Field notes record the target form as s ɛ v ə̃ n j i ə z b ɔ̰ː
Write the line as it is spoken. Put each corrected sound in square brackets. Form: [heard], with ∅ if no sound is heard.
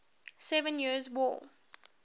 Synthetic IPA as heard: s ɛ v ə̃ n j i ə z [w] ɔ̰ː